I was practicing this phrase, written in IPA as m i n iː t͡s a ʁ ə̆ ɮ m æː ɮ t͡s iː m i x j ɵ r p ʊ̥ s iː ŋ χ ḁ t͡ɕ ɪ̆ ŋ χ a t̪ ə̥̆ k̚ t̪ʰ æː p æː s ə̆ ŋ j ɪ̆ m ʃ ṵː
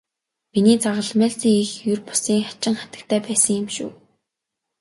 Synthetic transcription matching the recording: m i n iː t͡s a ʁ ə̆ ɮ m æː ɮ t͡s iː ŋ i x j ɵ r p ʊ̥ s iː ŋ χ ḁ t͡ɕ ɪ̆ ŋ χ a t̪ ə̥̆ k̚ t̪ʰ æː p æː s ə̆ ŋ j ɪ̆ m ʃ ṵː